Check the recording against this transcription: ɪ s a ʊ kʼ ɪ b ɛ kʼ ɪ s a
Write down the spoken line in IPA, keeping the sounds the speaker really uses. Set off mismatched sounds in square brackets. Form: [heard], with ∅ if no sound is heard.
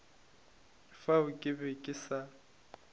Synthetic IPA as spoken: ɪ [f] a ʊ kʼ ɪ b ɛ kʼ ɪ s a

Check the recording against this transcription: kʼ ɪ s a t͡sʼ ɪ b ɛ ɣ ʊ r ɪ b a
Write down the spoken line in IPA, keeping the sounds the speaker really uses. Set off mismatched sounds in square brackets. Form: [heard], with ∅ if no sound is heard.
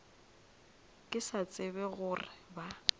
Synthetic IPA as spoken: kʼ ɪ s a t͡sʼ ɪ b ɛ ɣ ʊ r ɪ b a

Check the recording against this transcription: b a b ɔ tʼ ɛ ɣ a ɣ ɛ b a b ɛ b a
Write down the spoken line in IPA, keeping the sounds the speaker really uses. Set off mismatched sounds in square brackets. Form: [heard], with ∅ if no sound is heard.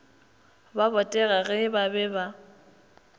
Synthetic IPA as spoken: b a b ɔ tʼ ɛ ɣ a ɣ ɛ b a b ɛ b a

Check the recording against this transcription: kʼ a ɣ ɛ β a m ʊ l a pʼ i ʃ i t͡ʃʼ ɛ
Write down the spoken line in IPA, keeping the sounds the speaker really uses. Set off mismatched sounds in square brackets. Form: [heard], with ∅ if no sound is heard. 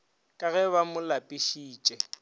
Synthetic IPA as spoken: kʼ a ɣ ɛ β a m ʊ l a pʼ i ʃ [iː] t͡ʃʼ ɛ

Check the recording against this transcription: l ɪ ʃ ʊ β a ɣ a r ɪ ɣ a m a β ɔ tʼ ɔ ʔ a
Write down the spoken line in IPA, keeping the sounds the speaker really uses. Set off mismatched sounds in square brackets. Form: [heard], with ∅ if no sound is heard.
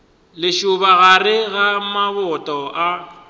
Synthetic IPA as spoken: l ɪ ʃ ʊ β a ɣ a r ɪ ɣ a m a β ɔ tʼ ɔ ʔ a

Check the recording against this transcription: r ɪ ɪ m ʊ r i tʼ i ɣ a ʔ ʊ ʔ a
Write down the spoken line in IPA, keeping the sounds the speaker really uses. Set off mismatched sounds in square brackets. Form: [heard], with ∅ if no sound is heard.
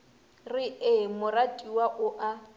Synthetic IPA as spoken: r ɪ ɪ m ʊ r [a] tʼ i [w] a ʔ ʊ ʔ a

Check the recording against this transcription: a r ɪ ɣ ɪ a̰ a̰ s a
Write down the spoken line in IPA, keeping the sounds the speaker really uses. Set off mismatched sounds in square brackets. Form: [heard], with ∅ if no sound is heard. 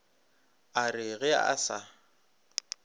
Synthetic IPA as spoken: a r ɪ ɣ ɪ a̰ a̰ s a

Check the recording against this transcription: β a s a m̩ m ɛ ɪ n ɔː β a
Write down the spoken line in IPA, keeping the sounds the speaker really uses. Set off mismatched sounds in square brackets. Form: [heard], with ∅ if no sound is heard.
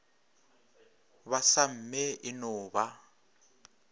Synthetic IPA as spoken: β a s a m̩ m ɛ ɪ n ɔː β a

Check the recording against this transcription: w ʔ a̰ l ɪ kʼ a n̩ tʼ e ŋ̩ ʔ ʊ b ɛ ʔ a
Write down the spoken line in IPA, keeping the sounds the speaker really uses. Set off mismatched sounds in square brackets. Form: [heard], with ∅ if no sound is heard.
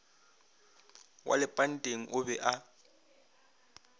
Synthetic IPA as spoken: w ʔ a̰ l ɪ [pʼ] a n̩ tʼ e ŋ̩ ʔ ʊ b ɛ ʔ a

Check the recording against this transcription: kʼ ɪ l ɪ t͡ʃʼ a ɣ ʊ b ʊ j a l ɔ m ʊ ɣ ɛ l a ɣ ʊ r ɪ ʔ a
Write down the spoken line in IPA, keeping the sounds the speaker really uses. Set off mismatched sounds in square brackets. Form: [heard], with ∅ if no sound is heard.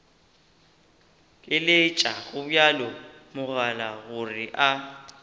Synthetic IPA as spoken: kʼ ɪ l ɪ t͡ʃʼ a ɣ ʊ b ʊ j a l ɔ m ʊ ɣ [a] l a ɣ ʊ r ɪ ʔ a

